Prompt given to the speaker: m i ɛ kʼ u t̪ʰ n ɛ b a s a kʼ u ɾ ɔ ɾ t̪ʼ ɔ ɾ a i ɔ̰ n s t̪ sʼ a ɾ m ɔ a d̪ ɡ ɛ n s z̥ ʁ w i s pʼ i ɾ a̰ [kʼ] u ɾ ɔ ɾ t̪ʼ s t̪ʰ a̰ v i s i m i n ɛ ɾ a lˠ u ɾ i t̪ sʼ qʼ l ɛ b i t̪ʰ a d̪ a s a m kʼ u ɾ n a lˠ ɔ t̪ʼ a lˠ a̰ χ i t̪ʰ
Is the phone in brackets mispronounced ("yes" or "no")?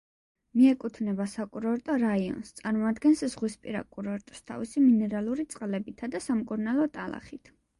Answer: no